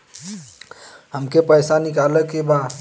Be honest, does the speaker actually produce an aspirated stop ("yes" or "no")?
no